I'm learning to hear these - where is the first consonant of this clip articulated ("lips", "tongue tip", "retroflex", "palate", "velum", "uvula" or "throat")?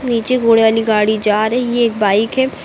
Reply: tongue tip